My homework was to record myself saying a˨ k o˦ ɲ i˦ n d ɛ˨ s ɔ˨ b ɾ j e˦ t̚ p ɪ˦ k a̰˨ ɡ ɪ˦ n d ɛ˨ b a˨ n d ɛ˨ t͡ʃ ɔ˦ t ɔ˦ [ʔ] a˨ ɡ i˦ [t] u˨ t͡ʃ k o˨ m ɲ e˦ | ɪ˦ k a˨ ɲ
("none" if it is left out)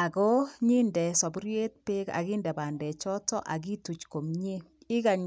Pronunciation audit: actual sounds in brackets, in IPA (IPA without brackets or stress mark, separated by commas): ʔ, t